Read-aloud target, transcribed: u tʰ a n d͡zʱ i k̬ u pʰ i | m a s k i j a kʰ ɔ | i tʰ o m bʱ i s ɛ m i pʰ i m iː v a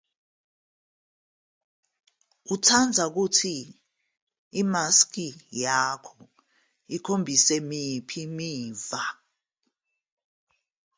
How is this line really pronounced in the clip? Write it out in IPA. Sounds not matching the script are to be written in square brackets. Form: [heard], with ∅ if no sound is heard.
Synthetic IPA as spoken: u tʰ a n d͡zʱ [a] k̬ u [tʰ] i | m a s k i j a kʰ ɔ | i [kʰ] o m bʱ i s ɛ m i pʰ i m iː v a